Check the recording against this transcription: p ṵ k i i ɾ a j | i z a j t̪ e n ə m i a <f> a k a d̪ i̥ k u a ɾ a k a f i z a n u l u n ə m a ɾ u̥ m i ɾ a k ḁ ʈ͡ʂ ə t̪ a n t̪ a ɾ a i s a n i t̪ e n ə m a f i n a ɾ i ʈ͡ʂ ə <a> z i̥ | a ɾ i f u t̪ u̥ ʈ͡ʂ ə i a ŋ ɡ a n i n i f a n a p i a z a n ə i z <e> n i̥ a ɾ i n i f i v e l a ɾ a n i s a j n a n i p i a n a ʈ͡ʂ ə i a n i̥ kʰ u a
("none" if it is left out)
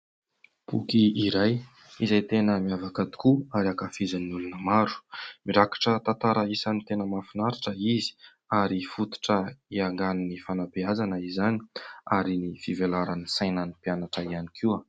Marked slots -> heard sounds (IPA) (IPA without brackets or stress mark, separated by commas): v, i, a